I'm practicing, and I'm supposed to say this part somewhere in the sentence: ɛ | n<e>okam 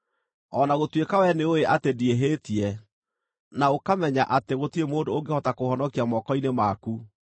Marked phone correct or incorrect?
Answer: incorrect: a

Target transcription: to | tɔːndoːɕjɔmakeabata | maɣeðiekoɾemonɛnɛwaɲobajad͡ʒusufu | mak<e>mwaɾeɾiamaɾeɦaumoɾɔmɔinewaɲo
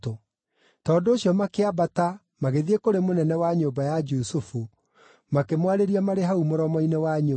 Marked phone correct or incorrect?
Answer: correct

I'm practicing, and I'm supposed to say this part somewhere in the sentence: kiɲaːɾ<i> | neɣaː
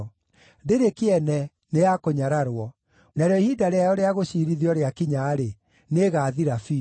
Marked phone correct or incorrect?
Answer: incorrect: e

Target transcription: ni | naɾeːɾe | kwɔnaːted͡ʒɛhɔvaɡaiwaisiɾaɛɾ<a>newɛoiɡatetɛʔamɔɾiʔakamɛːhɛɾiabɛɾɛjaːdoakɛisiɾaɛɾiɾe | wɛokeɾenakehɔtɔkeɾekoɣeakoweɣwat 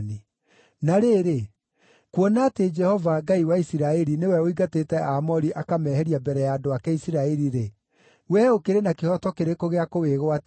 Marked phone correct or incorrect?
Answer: incorrect: i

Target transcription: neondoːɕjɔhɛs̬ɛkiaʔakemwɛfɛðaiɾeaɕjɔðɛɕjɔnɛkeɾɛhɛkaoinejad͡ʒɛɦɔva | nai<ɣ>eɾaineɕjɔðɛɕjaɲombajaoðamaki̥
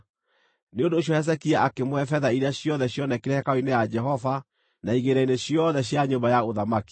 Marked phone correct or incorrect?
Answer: correct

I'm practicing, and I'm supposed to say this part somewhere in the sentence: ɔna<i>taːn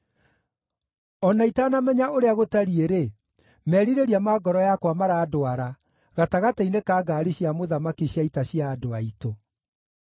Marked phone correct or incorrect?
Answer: correct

